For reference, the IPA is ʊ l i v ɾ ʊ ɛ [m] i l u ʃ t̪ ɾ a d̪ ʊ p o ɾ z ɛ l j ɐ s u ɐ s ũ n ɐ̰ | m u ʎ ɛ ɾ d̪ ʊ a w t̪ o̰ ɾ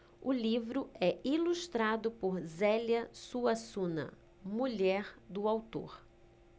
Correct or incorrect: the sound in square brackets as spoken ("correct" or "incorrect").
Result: incorrect